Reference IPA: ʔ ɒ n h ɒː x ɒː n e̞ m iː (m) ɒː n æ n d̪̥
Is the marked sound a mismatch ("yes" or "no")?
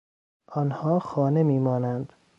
no